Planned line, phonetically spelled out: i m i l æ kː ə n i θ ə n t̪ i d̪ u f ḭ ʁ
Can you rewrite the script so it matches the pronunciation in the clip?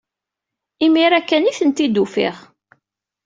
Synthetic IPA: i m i ɾ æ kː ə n i θ ə n t̪ i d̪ u f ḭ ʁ